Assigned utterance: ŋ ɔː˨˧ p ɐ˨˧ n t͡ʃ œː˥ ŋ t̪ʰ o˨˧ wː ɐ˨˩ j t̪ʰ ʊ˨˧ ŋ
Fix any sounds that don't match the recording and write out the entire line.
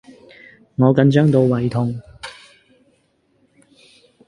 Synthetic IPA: ŋ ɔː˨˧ k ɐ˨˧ n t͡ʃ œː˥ ŋ t̪ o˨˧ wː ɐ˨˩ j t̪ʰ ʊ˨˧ ŋ